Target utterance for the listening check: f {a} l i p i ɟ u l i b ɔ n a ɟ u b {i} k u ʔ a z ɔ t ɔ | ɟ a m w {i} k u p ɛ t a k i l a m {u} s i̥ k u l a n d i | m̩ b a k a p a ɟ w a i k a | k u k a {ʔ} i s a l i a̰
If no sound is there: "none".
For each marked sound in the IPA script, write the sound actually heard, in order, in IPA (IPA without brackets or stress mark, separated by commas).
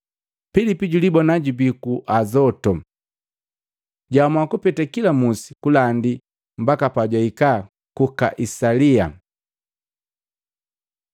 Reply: i, i, a, u, ʔ